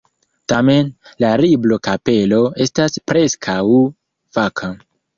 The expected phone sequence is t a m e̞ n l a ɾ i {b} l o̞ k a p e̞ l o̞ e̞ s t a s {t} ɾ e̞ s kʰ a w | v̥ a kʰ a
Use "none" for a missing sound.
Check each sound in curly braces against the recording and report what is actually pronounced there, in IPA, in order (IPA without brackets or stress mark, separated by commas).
b, p